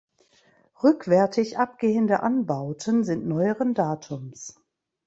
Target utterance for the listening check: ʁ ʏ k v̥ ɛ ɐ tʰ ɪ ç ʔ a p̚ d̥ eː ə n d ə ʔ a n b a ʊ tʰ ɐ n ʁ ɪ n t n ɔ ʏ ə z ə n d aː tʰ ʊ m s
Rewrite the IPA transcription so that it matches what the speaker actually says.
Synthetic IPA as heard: ʁ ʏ k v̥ ɛ ɐ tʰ ɪ ç ʔ a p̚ ɡ̥ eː ə n d ə ʔ a n b a ʊ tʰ ə n z ɪ n t n ɔ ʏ ə ʁ ə n d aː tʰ ʊ m s